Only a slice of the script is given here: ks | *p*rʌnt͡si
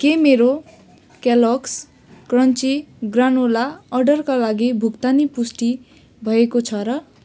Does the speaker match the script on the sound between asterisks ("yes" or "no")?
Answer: no